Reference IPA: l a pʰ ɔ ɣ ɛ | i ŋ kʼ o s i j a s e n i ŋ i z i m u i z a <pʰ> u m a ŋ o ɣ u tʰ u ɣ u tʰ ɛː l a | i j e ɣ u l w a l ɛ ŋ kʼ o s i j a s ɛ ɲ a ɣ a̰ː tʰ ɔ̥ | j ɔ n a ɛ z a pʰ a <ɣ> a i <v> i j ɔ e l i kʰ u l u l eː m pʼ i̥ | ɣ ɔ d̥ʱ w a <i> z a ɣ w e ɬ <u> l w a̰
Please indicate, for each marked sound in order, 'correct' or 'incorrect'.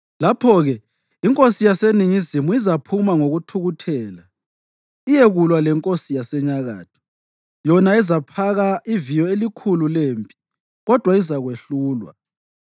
correct, correct, correct, correct, incorrect: uː

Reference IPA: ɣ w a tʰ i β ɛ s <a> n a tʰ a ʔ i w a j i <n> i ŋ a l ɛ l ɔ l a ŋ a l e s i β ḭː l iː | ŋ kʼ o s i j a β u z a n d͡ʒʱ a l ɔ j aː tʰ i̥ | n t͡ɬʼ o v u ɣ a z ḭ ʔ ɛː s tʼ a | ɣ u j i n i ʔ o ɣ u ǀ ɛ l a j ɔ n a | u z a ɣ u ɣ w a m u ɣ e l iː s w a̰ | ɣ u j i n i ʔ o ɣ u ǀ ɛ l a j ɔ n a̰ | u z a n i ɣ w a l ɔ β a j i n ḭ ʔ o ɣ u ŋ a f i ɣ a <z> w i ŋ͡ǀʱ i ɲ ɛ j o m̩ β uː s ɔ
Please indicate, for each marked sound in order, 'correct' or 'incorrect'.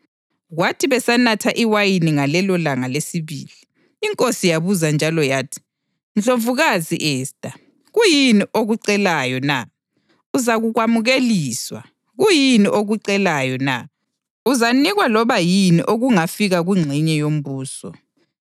correct, correct, incorrect: ɣ

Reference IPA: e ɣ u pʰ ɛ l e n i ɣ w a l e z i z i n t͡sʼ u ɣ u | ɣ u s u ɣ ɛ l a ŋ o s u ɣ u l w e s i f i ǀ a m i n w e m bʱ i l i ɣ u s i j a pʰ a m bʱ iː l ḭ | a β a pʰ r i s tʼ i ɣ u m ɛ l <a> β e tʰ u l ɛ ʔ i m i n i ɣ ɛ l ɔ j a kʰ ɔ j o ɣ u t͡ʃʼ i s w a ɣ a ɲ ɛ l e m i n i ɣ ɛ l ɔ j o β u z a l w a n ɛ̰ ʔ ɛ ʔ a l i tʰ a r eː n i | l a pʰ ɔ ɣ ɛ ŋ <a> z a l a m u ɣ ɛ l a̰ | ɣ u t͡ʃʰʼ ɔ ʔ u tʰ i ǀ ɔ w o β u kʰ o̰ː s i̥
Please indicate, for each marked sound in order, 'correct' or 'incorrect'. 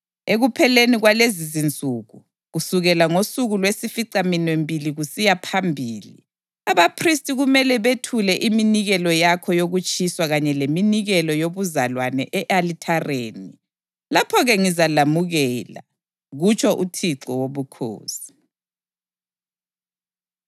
incorrect: ɛ, incorrect: i

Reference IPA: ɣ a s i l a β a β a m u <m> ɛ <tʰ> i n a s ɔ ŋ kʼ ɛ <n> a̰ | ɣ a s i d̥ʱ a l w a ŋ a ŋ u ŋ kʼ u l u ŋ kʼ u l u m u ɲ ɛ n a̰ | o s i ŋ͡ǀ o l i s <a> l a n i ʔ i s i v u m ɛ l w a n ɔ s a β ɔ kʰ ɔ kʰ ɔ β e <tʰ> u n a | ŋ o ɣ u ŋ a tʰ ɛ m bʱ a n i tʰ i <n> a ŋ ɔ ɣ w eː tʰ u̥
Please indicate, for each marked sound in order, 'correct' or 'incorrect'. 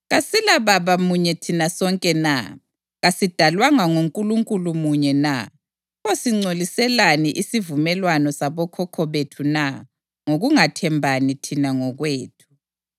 incorrect: ɲ, correct, correct, incorrect: ɛ, correct, correct

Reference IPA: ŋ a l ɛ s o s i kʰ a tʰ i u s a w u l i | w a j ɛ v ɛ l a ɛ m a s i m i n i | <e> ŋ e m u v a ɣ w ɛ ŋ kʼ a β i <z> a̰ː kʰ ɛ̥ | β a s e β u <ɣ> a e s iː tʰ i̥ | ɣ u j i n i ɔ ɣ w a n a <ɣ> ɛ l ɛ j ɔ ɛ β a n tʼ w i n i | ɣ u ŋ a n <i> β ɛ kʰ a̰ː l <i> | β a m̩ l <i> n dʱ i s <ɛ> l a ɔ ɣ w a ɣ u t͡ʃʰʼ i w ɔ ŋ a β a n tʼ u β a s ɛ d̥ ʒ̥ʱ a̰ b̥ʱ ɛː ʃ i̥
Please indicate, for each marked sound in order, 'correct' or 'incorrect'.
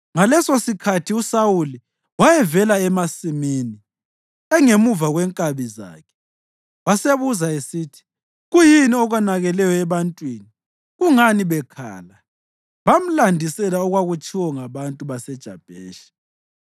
incorrect: ɛ, correct, incorrect: z, correct, correct, incorrect: a, incorrect: a, correct

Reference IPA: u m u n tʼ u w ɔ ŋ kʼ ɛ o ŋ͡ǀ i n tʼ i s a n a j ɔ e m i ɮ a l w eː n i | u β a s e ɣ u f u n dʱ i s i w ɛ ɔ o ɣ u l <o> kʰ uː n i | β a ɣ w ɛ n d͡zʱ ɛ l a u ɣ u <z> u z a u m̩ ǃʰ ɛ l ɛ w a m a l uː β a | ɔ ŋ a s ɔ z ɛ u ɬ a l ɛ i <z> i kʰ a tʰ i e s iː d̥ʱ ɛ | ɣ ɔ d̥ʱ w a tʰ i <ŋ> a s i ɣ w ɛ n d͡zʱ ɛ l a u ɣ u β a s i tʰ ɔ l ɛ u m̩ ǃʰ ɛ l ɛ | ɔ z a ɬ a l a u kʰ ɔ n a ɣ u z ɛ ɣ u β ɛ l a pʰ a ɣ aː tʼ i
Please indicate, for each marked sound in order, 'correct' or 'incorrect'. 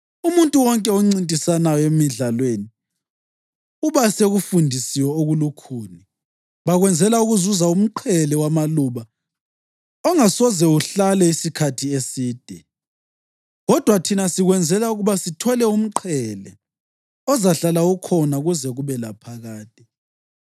incorrect: u, correct, incorrect: s, incorrect: n

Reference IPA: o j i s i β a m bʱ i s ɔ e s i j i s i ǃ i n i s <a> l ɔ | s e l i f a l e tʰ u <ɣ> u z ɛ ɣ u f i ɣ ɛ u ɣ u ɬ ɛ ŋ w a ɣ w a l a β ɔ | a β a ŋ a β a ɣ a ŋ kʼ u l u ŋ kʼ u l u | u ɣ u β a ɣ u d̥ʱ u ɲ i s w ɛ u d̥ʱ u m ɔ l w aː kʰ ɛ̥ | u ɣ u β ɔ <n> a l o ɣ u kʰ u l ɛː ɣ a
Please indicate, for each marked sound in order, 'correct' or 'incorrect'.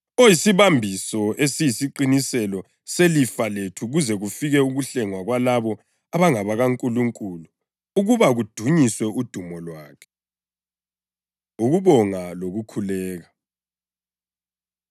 incorrect: ɛ, correct, incorrect: ŋ

